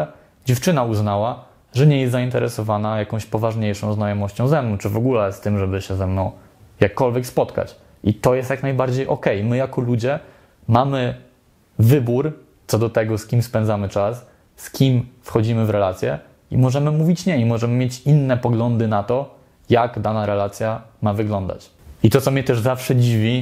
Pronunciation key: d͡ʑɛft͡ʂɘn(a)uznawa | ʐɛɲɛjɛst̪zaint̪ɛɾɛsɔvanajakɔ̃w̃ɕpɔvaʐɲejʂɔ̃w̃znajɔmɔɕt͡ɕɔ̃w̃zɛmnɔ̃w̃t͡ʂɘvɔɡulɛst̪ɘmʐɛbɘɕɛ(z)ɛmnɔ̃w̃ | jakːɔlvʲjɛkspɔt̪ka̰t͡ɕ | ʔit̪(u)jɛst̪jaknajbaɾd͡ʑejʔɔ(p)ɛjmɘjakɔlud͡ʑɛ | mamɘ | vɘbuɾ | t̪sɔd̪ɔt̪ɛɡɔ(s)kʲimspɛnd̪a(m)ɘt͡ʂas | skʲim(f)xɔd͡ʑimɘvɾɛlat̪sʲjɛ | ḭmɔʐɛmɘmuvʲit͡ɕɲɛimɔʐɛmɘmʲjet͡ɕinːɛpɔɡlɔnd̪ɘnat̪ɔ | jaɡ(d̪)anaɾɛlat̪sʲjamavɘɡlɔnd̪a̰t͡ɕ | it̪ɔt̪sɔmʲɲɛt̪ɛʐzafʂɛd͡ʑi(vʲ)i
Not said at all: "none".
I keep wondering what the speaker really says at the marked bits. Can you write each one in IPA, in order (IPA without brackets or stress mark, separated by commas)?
a, z, ɔ, k, s, m, f, d̪, vʲ